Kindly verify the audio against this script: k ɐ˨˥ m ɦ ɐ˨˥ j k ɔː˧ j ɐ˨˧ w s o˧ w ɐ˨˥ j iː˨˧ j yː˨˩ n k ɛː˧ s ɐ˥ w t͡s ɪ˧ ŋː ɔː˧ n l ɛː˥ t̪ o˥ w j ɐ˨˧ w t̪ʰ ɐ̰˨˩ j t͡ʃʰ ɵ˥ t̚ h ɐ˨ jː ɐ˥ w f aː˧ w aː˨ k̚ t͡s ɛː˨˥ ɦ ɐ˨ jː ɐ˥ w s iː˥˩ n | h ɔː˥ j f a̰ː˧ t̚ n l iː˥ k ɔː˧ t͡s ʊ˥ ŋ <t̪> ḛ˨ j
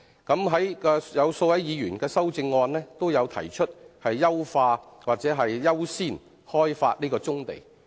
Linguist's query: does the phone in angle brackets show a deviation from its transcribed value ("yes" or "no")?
no